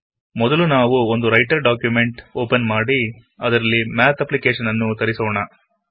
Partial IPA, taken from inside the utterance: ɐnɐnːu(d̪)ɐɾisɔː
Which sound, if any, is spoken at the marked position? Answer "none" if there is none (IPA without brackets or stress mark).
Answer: t̪